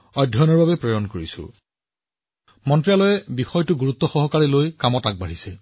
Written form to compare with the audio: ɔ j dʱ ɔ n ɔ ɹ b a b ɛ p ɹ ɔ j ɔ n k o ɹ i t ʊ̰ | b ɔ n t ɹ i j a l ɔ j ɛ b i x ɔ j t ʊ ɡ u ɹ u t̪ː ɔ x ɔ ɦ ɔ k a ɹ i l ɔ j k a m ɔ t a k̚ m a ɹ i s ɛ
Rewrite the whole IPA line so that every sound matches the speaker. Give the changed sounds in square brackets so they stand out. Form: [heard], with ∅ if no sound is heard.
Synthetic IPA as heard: ɔ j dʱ ɔ n ɔ ɹ b a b ɛ p ɹ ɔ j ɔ n k o ɹ i [s] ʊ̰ | [m] ɔ n t ɹ i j a l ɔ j ɛ b i x ɔ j t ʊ ɡ u ɹ u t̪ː ɔ x ɔ ɦ ɔ k a ɹ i l [o] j k a m ɔ t a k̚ [b] a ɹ i s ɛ